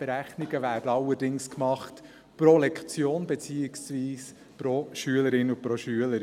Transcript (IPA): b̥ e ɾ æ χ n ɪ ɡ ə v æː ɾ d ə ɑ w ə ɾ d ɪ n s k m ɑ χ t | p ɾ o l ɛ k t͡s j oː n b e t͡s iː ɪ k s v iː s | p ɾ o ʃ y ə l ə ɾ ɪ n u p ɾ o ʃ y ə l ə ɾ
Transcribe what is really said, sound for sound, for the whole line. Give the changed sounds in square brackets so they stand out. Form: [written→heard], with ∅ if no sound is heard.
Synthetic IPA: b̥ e ɾ æ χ n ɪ ɡ ə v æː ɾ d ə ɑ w ə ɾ d ɪ [n→ŋ] s k m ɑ χ t | p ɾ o l ɛ k t͡s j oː n b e t͡s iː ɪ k s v iː s | p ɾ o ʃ y ə l ə ɾ ɪ n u p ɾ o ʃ y ə l ə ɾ